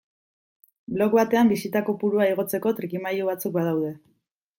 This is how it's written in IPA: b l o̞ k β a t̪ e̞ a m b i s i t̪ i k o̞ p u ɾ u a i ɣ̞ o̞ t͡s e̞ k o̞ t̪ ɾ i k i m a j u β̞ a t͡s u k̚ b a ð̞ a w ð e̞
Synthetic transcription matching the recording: b l o̞ k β a t̪ e̞ a m b i s i t̪ a k o̞ p u ɾ u a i ɣ̞ o̞ t͡s e̞ k o̞ t̪ ɾ i k i m a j u β̞ a t͡s u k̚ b a ð̞ a w ð e̞